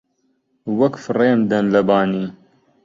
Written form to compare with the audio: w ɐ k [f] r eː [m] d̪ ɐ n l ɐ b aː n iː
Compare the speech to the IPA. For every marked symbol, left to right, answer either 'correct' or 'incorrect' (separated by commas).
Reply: correct, correct